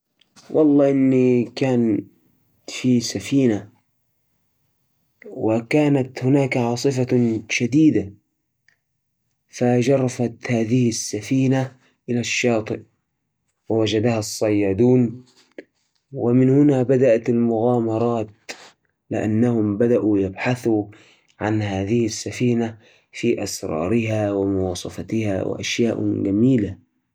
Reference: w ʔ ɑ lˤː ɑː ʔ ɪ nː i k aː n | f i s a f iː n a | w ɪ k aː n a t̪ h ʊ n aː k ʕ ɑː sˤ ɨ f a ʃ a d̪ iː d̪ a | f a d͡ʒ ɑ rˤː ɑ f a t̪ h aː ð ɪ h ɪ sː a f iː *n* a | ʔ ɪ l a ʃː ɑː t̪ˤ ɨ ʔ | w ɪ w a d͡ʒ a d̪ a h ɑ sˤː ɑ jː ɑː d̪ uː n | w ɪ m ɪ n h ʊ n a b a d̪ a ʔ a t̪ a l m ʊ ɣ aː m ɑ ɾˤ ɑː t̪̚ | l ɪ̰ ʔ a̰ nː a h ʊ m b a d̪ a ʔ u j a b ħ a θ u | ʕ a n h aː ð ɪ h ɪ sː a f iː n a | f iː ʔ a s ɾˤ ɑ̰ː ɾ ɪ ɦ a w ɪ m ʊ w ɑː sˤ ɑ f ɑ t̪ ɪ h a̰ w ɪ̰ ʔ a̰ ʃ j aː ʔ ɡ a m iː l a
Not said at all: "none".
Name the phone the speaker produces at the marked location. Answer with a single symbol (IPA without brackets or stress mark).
n